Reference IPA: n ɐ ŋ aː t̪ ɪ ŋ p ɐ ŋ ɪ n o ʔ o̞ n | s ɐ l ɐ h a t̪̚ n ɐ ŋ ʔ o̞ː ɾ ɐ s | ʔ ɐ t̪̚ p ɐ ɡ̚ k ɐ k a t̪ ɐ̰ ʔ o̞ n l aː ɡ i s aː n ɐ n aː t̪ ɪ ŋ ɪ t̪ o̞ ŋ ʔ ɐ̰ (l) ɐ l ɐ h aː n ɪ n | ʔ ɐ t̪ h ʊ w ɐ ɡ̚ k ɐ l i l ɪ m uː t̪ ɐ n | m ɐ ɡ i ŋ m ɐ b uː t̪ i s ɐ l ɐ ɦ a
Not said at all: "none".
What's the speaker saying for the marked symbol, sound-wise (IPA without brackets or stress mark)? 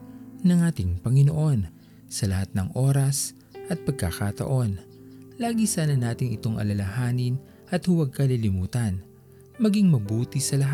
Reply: l